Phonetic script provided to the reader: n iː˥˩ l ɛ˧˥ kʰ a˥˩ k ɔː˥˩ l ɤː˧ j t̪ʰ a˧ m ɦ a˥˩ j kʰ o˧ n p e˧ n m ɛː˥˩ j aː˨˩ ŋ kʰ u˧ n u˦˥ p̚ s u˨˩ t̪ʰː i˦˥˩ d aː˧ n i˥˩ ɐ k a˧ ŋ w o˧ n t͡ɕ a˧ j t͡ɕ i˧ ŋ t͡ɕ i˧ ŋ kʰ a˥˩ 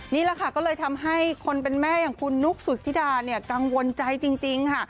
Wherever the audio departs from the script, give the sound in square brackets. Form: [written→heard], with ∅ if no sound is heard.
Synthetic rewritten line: n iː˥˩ l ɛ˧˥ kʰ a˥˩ k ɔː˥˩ l ɤː˧ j t̪ʰ a˧ m ɦ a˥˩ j kʰ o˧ n p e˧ n m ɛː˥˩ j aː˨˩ ŋ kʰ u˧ [n→nː] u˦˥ [p̚→k̚] s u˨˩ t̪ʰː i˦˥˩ d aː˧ n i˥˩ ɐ k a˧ ŋ w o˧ n t͡ɕ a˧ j t͡ɕ i˧ ŋ t͡ɕ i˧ ŋ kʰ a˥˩